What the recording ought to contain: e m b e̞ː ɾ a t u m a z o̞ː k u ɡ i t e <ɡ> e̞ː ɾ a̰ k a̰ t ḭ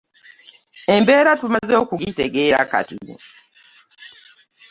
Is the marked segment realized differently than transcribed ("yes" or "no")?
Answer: no